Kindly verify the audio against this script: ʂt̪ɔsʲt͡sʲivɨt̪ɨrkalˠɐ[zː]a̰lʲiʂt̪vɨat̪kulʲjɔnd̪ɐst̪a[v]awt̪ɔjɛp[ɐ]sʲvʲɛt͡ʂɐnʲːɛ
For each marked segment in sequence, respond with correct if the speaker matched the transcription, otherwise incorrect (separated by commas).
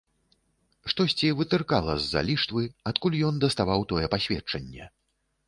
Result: correct, correct, incorrect